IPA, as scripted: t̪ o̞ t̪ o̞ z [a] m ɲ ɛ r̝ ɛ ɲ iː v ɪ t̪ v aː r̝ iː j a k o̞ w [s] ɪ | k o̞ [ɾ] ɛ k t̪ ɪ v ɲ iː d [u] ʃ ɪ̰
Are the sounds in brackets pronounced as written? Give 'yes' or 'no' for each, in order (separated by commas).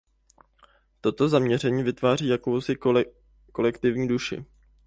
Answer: yes, yes, no, yes